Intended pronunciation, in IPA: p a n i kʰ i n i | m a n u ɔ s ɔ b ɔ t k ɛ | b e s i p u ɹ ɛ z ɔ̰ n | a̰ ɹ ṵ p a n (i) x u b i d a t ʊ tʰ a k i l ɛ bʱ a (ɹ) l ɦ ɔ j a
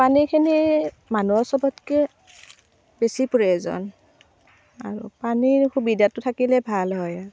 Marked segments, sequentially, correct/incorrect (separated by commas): correct, incorrect